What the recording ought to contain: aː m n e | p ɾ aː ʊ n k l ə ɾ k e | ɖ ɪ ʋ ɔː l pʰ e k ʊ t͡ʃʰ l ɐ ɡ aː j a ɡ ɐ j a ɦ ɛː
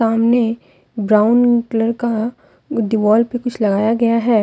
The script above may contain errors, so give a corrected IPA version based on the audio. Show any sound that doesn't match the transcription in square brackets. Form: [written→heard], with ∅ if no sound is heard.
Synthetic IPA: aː m n e | [p→b] ɾ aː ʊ n k l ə ɾ k [e→a] | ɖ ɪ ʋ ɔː l [pʰ→p] e k ʊ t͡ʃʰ l ɐ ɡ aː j a ɡ ɐ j a ɦ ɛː